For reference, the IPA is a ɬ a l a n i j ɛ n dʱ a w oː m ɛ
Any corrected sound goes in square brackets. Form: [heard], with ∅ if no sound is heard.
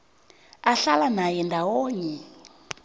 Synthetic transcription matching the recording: a ɬ a l a n [a] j ɛ n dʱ a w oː [ɲ] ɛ

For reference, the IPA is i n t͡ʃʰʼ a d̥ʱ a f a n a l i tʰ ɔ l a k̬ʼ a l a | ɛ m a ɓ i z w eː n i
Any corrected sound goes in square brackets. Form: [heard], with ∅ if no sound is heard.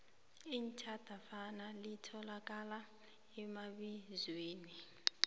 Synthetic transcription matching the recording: i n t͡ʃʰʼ a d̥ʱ a f a n a l i tʰ ɔ l a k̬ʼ a l a | ɛ m a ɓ i z w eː n i

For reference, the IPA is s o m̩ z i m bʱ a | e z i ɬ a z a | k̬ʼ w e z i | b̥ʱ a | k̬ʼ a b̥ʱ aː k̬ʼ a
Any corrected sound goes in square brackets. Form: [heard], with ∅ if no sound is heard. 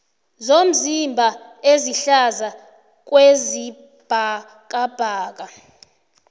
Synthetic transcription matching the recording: [z] o m̩ z i m bʱ a | e z i ɬ a z a | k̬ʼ w e z i | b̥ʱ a | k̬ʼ a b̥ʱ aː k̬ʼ a

